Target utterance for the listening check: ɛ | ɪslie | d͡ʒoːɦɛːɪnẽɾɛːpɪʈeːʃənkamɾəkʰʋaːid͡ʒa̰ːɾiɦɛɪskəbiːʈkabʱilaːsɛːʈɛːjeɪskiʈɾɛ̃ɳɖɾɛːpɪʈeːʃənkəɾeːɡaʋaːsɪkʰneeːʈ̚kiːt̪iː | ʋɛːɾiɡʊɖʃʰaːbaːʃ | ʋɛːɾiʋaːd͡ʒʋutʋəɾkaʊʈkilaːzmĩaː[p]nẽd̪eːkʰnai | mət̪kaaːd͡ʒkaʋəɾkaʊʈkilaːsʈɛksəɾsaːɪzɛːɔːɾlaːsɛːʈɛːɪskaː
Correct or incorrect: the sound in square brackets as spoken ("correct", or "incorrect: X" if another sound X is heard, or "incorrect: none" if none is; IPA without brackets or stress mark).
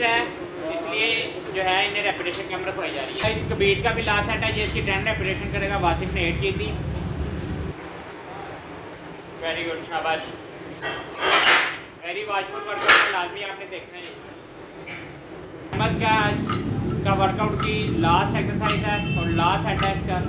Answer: correct